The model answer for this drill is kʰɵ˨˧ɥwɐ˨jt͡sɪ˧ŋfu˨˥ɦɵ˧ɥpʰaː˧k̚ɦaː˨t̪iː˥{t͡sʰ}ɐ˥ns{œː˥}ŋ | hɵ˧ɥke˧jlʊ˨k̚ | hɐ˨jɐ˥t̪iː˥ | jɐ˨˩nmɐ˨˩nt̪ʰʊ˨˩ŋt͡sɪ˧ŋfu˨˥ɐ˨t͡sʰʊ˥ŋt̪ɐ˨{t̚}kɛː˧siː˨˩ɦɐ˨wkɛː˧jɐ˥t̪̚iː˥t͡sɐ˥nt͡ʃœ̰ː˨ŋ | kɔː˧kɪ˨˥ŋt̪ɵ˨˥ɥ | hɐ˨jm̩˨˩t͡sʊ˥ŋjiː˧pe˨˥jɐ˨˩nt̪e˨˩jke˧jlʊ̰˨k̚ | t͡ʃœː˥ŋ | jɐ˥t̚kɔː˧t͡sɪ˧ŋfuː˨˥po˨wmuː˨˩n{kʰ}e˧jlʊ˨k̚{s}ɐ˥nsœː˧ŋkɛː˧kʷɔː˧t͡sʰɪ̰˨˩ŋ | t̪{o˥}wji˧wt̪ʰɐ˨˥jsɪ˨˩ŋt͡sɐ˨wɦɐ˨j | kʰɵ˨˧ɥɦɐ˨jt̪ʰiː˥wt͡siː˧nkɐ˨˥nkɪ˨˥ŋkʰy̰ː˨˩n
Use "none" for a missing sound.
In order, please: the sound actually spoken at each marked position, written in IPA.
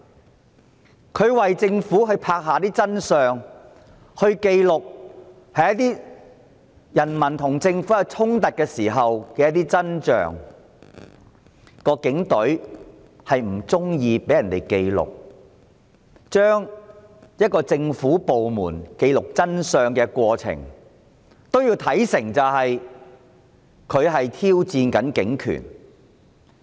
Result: t͡s, œː˨, t̚, k, t͡s, o˥

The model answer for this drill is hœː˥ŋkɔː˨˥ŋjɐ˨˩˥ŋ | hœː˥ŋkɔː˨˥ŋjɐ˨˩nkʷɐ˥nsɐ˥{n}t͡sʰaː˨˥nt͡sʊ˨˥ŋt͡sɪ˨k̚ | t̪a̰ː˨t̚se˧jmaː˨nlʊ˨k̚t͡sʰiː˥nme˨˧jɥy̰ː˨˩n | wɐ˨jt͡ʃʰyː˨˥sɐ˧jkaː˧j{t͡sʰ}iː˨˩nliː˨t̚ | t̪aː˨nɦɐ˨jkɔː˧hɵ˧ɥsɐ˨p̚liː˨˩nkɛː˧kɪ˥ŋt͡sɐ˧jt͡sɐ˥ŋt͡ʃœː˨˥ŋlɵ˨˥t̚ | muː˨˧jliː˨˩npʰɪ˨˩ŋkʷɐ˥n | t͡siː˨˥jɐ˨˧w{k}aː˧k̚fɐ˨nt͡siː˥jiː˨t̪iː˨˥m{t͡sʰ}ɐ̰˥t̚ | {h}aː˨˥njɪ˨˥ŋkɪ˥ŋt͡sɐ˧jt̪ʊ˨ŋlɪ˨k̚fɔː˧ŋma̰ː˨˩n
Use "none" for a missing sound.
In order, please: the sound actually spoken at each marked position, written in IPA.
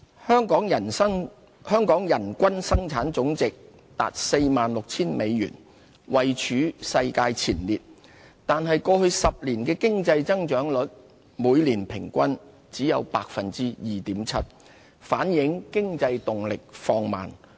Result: ŋ, t͡sʰ, p, t͡sʰ, f

